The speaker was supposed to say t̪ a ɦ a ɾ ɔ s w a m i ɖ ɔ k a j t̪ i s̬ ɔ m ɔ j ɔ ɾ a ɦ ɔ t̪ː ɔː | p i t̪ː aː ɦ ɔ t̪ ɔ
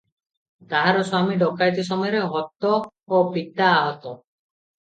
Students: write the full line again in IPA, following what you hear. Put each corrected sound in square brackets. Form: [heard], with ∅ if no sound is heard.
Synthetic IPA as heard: t̪ a ɦ a ɾ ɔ s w a m i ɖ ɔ k a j t̪ i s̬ ɔ m ɔ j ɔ ɾ [e] ɦ ɔ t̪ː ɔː | p i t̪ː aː ɦ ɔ t̪ ɔ

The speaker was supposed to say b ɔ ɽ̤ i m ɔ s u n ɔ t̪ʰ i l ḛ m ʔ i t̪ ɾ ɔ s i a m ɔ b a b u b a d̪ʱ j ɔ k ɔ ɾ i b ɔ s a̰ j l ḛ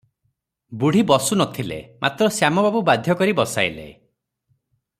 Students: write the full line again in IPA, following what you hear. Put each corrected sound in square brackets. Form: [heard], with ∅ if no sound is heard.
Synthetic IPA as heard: b [u] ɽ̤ i [b] ɔ s u n ɔ t̪ʰ i l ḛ m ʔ [a] t̪ ɾ ɔ s [j] a m ɔ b a b u b a d̪ʱ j ɔ k ɔ ɾ i b ɔ s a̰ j l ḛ

